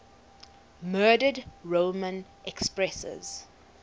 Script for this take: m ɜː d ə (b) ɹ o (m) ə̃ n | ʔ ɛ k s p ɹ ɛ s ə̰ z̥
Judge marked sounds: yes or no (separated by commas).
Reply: no, yes